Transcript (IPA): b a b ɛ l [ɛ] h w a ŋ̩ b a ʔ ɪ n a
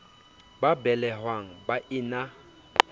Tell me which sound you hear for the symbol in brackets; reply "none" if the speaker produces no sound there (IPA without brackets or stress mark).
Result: ɛ